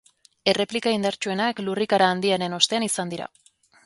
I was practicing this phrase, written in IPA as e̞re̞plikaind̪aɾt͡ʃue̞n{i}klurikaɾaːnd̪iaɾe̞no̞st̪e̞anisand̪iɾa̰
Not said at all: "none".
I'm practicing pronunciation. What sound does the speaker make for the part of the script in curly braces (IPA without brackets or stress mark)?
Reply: a